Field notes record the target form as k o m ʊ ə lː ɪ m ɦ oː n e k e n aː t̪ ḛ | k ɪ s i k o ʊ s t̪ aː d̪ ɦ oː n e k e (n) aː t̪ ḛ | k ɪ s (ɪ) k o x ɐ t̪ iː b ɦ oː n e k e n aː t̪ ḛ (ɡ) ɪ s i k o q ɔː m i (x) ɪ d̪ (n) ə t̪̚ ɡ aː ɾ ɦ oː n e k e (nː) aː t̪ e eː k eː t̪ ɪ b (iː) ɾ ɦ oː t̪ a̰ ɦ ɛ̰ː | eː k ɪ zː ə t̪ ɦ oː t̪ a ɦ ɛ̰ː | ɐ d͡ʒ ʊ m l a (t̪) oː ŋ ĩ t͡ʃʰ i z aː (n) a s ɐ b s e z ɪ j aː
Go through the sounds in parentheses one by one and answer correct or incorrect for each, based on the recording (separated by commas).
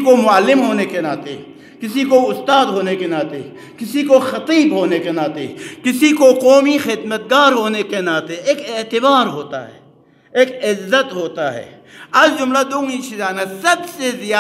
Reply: correct, incorrect, incorrect, correct, incorrect, incorrect, incorrect, incorrect, correct